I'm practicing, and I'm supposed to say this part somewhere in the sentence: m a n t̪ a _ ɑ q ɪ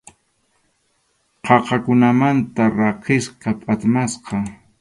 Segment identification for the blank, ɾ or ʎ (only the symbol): ɾ